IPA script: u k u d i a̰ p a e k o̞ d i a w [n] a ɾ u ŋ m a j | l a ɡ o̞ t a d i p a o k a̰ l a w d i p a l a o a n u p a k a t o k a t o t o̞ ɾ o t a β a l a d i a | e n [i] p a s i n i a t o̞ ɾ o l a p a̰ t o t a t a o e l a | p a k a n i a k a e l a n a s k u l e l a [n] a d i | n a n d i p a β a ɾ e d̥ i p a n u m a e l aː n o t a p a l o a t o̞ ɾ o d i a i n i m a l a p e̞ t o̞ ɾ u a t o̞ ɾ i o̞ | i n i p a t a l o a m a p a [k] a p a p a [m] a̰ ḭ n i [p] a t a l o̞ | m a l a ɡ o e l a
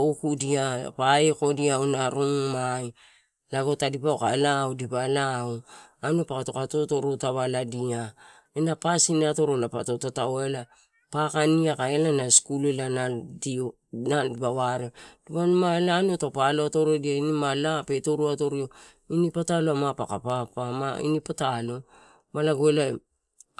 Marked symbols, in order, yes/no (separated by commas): yes, no, yes, yes, yes, yes